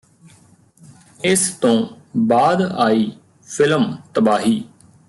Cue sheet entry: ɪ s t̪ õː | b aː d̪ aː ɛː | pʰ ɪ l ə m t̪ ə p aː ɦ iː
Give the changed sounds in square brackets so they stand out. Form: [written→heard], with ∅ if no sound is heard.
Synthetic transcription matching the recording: ɪ s t̪ õː | b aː d̪ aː [ɛː→iː] | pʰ ɪ l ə m t̪ ə [p→b] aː ɦ iː

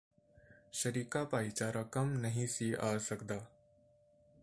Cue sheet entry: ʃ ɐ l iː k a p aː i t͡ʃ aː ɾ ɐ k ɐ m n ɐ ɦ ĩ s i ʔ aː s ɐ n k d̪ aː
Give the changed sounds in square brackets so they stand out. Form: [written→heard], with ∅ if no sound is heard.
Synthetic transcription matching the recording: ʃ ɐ [l→ɾ] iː k a p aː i t͡ʃ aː ɾ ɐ k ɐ m n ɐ ɦ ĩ s i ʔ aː s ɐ [n→∅] k d̪ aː

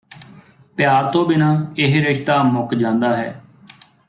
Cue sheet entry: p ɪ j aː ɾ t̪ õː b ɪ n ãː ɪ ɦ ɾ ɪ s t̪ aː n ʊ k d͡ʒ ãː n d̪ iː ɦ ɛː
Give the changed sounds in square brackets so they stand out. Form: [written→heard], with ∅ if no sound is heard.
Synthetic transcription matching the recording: p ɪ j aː ɾ t̪ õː b ɪ n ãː ɪ ɦ ɾ ɪ [s→ʃ] t̪ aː [n→m] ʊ k d͡ʒ ãː n d̪ [iː→aː] ɦ ɛː

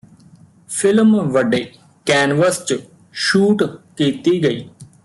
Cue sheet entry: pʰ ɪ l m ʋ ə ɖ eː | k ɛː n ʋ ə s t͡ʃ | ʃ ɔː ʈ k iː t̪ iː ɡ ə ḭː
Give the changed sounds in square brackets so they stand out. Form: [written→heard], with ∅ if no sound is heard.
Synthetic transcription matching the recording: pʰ ɪ l m ʋ ə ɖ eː | k ɛː n ʋ ə s t͡ʃ | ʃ [ɔː→uː] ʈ k iː t̪ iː ɡ ə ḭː

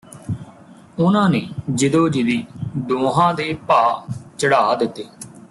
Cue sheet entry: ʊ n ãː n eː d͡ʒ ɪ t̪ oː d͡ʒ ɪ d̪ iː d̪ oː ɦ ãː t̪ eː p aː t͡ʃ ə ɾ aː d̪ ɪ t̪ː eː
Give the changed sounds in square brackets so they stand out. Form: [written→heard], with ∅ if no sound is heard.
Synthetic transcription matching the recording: ʊ n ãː n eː d͡ʒ ɪ [t̪→d̪] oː d͡ʒ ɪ d̪ iː d̪ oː ɦ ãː [t̪→d̪] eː p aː t͡ʃ ə [ɾ→ɽ] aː d̪ ɪ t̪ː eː

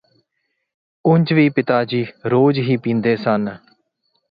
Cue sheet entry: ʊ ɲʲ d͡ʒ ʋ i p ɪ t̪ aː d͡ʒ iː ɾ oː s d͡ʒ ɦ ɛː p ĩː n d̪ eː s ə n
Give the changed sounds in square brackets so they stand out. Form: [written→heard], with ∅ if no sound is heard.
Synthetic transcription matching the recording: ʊ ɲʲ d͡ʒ ʋ [i→iː] p ɪ t̪ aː d͡ʒ iː ɾ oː [s→∅] d͡ʒ ɦ [ɛː→iː] p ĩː n d̪ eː s ə n

